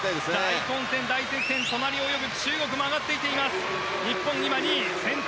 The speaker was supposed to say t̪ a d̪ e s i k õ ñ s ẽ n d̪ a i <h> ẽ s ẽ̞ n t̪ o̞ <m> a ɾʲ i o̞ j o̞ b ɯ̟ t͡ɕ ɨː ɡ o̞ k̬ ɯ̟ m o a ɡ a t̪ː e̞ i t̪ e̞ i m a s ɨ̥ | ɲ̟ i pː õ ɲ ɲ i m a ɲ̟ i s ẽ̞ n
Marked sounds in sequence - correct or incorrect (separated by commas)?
incorrect, incorrect